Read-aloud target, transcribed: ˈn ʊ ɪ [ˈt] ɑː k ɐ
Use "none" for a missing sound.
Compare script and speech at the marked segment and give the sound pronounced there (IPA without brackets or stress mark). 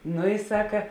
s